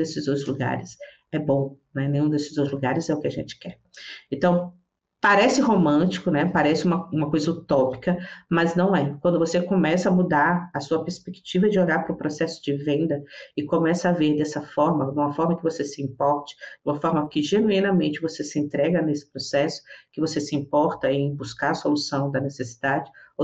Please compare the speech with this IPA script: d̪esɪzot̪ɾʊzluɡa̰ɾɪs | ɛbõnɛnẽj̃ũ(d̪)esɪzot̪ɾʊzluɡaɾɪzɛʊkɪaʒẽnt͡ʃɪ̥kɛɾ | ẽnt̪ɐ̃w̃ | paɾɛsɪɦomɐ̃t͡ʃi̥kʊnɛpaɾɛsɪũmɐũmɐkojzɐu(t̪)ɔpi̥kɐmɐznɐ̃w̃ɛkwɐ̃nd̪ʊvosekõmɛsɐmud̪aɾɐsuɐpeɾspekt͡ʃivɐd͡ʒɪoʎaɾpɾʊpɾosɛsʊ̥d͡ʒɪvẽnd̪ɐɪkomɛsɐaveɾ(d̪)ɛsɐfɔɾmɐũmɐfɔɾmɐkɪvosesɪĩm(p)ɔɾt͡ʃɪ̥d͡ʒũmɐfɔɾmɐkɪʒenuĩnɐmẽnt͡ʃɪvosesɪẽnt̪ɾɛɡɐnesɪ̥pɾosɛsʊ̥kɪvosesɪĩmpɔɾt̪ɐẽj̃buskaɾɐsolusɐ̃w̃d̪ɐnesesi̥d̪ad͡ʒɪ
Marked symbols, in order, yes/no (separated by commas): yes, yes, yes, yes